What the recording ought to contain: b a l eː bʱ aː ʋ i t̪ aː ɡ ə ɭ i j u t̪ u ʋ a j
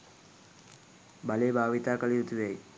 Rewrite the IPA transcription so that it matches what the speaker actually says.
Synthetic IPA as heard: b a l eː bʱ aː ʋ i t̪ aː k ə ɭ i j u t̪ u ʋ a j